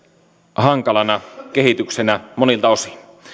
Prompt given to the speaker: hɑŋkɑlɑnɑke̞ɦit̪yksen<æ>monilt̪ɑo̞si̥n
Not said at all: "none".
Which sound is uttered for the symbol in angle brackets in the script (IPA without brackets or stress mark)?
æ